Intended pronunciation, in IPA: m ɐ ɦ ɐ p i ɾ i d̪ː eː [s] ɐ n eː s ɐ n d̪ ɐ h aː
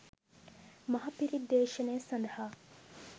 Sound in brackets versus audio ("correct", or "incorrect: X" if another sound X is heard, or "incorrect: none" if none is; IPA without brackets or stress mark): incorrect: ʃ